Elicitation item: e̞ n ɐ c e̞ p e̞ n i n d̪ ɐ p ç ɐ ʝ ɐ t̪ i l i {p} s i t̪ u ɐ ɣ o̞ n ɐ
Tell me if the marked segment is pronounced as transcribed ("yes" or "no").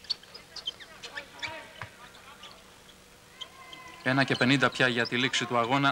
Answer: no